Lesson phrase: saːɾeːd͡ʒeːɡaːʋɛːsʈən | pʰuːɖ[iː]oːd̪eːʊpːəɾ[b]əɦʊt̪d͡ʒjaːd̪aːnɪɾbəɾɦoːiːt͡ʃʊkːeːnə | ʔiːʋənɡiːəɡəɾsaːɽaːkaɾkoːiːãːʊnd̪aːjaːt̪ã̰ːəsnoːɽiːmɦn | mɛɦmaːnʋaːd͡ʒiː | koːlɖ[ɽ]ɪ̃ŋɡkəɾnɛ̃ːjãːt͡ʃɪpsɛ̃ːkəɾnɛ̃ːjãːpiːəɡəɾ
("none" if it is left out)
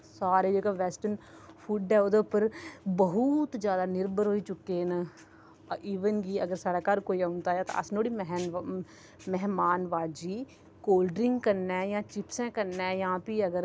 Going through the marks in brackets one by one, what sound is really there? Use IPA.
ɛː, b, ɾ

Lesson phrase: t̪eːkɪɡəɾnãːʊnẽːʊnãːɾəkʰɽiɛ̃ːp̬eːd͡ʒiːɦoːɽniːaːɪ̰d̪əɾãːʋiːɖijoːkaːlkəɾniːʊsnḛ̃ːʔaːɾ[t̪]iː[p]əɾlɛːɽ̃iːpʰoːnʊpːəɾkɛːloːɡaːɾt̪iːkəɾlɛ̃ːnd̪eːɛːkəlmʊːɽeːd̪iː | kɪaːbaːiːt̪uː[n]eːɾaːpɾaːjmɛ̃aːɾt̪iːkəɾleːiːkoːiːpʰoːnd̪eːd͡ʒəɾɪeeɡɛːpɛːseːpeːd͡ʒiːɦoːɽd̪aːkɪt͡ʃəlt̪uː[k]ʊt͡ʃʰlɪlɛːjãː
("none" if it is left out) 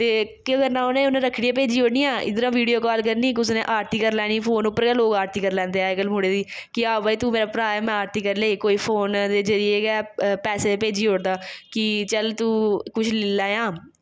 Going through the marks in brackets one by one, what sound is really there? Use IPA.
t̪, k, m, k

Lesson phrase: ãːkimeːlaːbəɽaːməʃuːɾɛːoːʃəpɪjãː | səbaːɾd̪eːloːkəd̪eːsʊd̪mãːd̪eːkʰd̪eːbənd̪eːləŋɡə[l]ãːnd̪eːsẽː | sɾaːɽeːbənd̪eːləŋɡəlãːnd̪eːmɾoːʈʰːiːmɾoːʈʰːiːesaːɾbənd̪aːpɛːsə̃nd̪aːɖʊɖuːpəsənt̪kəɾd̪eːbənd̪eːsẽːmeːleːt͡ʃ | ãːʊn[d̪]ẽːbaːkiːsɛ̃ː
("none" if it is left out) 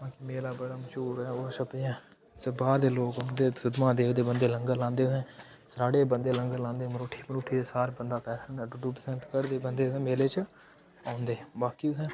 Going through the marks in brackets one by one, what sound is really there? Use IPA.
l, d̪

